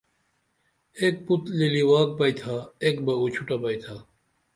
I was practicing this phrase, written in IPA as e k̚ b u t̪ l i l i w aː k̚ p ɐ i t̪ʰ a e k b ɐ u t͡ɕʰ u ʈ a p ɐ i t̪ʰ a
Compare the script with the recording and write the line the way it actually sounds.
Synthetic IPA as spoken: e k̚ p u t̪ l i l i w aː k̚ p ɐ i t̪ʰ a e k b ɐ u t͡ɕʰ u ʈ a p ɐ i t̪ʰ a